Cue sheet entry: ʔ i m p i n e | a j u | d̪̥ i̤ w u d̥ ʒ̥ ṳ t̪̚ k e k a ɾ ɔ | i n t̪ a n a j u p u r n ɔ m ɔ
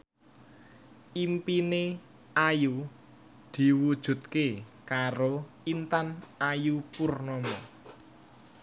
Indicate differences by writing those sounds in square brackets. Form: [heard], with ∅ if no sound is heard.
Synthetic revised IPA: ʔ i m p i n e | a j u | d̪̥ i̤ w u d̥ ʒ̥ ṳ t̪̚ k e k a ɾ [o] | i n t̪ a n a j u p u r n ɔ m ɔ